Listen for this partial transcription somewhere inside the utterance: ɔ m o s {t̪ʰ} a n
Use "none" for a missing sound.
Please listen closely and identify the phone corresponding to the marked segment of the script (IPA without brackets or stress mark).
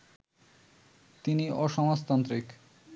t̪